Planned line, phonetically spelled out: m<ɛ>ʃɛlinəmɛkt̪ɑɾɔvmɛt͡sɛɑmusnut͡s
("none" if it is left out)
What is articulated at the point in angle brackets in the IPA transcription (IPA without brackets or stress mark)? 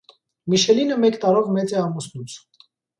i